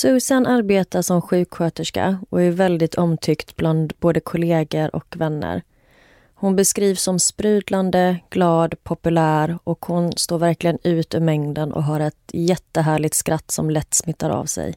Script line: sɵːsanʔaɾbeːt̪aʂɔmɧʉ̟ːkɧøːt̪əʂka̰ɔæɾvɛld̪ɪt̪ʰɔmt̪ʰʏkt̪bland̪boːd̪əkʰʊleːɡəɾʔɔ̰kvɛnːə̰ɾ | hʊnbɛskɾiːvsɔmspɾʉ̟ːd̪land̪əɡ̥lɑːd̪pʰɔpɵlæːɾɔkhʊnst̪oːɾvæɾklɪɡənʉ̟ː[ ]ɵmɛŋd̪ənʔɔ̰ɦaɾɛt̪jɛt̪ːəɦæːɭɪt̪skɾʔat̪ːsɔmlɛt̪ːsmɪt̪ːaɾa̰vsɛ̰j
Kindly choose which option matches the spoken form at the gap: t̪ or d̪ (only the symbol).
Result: t̪